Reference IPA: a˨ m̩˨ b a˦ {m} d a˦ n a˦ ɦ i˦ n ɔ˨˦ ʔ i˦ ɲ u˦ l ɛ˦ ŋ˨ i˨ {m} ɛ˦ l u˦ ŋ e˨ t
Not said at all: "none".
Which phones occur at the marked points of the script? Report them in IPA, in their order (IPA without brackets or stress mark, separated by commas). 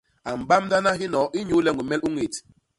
m, m